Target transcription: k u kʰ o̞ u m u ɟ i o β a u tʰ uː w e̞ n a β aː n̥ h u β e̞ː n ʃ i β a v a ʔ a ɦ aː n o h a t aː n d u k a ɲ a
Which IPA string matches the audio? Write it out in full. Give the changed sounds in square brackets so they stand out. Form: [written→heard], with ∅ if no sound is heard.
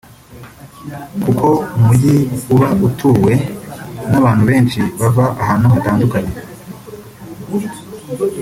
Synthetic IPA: k u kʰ o̞ u m u ɟ i [o→u] β a u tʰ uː w e̞ n a β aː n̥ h u β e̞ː n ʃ i β a v a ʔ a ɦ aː n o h a t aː n d u k a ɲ [a→e]